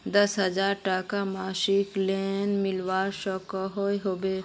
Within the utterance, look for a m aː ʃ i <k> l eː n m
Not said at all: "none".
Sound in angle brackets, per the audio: k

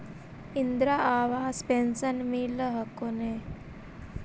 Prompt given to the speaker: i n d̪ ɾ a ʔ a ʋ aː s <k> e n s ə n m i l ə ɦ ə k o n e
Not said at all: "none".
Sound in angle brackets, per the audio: p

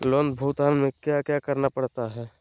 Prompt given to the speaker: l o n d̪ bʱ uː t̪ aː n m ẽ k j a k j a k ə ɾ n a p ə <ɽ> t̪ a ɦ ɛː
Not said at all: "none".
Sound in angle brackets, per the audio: ɽ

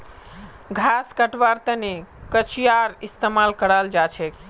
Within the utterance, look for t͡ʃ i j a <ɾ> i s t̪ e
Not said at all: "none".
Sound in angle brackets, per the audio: ɾ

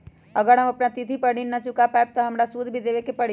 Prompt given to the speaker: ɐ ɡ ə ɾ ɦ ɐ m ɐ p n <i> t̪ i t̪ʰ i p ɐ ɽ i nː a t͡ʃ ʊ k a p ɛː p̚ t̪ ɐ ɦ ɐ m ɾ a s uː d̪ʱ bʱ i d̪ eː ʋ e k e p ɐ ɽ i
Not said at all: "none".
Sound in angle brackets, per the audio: a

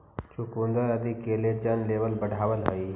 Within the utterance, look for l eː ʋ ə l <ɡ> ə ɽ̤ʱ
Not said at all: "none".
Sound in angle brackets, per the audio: b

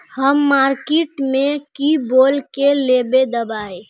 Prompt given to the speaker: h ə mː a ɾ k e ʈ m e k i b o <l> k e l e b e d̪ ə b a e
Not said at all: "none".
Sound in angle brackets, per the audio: l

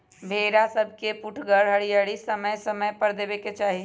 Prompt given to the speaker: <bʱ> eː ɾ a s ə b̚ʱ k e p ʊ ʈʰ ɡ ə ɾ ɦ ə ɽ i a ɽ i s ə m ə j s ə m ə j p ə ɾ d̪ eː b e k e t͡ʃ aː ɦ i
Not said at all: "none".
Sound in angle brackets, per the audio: bʱ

